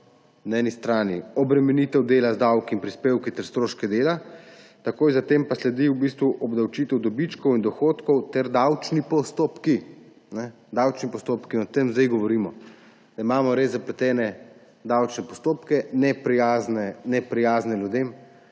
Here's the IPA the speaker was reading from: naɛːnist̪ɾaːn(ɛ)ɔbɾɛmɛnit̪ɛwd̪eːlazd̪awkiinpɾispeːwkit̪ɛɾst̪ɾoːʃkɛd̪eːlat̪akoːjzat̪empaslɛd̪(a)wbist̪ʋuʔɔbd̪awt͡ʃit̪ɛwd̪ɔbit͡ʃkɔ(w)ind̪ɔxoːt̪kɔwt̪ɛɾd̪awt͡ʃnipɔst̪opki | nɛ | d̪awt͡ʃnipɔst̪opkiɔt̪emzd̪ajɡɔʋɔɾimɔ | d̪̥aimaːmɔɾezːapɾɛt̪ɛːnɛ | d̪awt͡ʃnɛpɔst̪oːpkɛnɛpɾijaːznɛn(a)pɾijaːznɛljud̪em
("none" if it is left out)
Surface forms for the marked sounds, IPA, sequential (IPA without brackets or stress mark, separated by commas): i, i, w, ɛ